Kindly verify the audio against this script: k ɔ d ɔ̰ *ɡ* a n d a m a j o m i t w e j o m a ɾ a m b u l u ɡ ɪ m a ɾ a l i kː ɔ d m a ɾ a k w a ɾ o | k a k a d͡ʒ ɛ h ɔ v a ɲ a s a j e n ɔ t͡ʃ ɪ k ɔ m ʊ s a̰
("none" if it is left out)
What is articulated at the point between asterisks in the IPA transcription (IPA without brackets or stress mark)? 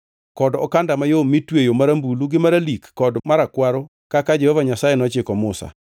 k